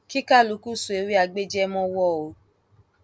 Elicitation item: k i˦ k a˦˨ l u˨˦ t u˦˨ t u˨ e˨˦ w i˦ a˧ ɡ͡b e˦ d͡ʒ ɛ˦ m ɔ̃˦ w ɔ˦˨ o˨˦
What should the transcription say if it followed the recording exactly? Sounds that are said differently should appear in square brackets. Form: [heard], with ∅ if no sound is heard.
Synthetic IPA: k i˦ k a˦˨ l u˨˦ [k] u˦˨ [s] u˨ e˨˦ w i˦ a˧ ɡ͡b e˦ d͡ʒ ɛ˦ m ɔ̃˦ w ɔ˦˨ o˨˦

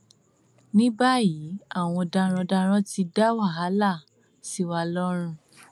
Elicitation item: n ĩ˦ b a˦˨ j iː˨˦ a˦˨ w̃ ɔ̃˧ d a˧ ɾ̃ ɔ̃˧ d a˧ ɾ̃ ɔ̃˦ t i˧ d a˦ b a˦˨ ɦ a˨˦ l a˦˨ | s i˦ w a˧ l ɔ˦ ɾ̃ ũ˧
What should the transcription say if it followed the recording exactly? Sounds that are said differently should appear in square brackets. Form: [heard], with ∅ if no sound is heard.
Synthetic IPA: n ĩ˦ b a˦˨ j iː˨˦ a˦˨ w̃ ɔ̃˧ d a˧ ɾ̃ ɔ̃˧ d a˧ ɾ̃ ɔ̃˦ t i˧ d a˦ [w] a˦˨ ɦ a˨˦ l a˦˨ | s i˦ w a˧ l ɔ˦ ɾ̃ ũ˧

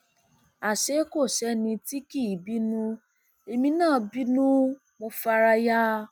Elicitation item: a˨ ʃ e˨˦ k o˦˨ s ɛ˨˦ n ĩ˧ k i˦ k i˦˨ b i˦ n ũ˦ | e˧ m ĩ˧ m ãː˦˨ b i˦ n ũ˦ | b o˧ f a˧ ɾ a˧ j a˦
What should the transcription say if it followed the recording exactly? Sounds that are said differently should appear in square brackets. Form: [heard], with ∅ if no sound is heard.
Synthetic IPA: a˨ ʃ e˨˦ k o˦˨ [ʃ] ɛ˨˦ n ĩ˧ [t] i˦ k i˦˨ b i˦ n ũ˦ | e˧ m ĩ˧ [n] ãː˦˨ b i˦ n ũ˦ | [m] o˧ f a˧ ɾ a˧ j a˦

